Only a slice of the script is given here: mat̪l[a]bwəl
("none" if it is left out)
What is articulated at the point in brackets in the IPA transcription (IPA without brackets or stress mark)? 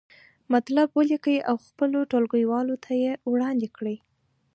a